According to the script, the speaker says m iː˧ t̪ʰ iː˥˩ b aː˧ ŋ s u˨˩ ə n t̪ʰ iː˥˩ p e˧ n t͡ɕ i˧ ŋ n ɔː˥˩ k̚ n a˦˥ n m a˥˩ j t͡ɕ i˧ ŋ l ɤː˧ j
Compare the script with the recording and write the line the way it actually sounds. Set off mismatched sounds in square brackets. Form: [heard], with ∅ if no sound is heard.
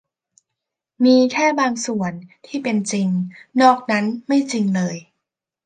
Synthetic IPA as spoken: m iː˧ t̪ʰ [ɛː˥˩] b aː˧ ŋ s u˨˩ ə n t̪ʰ iː˥˩ p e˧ n t͡ɕ i˧ ŋ n ɔː˥˩ k̚ n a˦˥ n m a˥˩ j t͡ɕ i˧ ŋ l ɤː˧ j